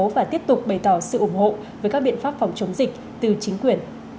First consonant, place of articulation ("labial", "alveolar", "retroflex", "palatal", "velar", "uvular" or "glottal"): labial